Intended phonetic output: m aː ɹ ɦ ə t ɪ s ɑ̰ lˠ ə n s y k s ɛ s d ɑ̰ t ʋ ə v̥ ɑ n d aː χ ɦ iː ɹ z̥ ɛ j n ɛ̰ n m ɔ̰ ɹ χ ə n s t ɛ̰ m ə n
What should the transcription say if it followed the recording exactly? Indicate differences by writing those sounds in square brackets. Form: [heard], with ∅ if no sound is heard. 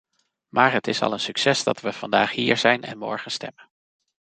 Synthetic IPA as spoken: m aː ɹ ɦ ə t ɪ s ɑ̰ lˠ ə n s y k s ɛ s d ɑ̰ t ʋ ə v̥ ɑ n d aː χ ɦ iː ɹ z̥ ɛ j n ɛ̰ n m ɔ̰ ɹ χ ə n s t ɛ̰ m ə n